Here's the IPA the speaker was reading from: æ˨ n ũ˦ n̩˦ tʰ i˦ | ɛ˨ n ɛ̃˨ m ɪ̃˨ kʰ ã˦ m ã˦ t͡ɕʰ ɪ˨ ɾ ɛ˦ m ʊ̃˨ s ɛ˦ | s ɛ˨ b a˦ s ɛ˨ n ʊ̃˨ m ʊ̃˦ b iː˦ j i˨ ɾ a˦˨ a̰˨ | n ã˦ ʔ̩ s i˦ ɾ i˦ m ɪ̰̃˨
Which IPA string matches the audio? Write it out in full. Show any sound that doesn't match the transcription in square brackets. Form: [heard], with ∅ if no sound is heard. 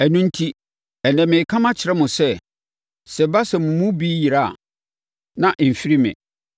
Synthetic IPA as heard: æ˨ n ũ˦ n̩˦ tʰ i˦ | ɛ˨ n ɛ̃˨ m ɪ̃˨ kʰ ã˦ m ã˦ t͡ɕʰ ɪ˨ ɾ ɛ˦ m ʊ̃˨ s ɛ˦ | s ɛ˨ b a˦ s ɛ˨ [m] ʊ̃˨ m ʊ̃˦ b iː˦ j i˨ ɾ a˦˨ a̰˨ | n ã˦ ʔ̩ [f] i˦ ɾ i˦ m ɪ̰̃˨